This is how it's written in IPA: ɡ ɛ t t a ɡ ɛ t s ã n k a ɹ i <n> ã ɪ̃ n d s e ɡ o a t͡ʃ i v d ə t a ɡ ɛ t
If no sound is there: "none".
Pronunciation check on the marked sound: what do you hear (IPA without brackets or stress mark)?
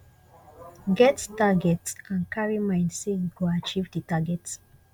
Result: m